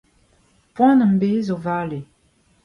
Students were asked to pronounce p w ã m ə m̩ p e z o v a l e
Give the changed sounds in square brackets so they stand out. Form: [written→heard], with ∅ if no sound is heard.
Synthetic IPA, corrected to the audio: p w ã [m→n] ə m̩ [p→b] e z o v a l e